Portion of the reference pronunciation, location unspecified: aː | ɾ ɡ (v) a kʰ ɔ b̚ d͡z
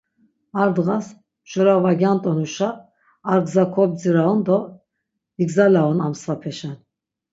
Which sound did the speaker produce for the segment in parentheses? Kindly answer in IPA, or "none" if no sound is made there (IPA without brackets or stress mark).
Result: z